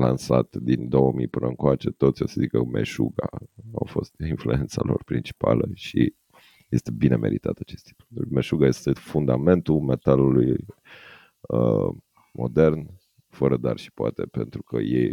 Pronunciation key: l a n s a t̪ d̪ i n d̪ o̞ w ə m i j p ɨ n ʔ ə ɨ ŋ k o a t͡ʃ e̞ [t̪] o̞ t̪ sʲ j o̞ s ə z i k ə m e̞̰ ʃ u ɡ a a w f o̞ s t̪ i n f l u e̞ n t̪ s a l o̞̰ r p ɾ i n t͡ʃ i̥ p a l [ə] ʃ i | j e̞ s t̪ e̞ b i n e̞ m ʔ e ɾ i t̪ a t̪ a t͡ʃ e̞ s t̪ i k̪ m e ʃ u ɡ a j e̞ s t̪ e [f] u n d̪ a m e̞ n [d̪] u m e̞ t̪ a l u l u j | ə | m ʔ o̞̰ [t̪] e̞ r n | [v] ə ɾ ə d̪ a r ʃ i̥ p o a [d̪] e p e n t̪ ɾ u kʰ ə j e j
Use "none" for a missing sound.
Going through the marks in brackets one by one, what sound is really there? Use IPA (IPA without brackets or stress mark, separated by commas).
t̪, ə, f, t̪, d̪, f, t̪